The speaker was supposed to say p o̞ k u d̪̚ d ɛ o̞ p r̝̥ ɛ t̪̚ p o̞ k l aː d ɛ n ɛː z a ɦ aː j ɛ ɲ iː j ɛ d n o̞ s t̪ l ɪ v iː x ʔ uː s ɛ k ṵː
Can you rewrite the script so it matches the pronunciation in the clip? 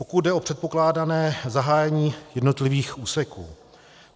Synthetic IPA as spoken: p o̞ k u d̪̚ d ɛ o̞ p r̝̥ ɛ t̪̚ p o̞ k l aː d a n ɛː z a ɦ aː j ɛ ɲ iː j ɛ d n o̞ t̪ l ɪ v iː x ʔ uː s ɛ k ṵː